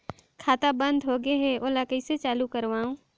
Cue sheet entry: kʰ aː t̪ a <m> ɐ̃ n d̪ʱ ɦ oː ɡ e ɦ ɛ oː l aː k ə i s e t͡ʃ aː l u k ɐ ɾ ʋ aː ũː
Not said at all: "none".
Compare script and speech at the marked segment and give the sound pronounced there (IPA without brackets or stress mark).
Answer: b